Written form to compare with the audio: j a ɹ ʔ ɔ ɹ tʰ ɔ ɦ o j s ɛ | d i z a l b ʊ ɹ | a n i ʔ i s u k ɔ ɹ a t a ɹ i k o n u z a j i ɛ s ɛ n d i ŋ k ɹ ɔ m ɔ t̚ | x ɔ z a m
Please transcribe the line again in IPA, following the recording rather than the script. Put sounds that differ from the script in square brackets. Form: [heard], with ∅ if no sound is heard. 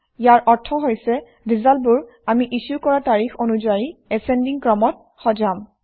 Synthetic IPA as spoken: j a ɹ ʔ ɔ ɹ tʰ ɔ ɦ o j s ɛ | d i z a l b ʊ ɹ | a [m] i ʔ i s u k ɔ ɹ a t a ɹ i [x] o n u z a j i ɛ s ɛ n d i ŋ k ɹ ɔ m ɔ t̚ | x ɔ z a m

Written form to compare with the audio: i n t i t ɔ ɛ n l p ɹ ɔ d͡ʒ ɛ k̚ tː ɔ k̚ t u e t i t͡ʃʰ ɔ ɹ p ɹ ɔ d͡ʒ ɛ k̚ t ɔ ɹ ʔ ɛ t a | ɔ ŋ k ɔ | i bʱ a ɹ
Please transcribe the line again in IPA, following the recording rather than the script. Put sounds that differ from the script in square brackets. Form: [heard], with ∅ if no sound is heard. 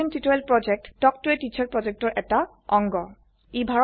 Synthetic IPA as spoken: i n t i t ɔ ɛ [∅] l p ɹ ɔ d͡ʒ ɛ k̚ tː ɔ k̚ t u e t i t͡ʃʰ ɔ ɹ p ɹ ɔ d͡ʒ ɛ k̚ t ɔ ɹ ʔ ɛ t a | ɔ ŋ [ɡ] ɔ | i bʱ a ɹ

